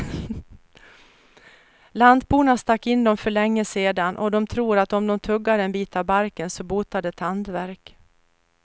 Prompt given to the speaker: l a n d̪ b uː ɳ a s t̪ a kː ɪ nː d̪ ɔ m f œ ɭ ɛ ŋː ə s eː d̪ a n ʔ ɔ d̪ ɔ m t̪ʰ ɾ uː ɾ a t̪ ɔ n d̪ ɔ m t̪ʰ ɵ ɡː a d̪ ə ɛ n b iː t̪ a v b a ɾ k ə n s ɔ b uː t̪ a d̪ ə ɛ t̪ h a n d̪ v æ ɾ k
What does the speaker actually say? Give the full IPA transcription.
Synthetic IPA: l a n d̪ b uː ɳ a s t̪ a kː ɪ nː d̪ ɔ m f œ ɭ ɛ ŋː ə s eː d̪ a n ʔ ɔ d̪ ɔ m t̪ʰ ɾ uː ɾ a t̪ ɔ m d̪ ɔ m t̪ʰ ɵ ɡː a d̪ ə ɛ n b iː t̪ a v b a ɾ k ə n s ɔ b uː t̪ a d̪ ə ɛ t̪ h a n d̪ v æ ɾ k